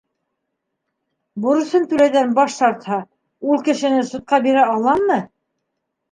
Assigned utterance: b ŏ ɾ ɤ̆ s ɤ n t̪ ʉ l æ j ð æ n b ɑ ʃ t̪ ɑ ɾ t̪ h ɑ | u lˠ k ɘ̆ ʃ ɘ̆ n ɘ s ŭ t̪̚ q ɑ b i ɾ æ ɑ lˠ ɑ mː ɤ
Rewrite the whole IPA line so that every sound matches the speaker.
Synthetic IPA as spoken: b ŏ ɾ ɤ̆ s ɤ n t̪ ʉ l æ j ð æ n b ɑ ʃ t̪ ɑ ɾ t̪ h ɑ | u lˠ k ɘ̆ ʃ ɘ̆ n ɘ s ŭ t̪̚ q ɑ b i ɾ æ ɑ lˠ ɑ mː ɤ